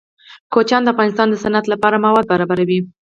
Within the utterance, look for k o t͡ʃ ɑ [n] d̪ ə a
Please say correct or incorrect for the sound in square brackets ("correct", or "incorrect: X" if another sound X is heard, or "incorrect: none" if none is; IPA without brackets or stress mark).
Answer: correct